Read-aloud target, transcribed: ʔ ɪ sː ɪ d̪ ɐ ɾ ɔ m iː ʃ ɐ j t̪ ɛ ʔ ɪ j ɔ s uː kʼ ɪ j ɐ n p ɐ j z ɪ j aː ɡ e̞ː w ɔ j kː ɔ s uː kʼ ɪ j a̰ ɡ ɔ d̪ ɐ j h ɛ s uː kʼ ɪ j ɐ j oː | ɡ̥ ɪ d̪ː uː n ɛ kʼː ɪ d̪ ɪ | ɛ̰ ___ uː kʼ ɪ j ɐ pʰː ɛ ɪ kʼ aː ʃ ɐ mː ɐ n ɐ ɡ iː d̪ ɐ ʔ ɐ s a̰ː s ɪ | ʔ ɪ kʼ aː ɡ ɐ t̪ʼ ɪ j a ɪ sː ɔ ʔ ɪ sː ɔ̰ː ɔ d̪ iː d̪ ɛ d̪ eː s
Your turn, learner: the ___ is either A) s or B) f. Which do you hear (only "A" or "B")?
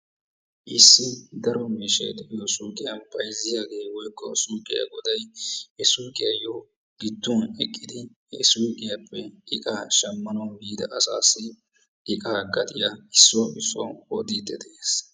A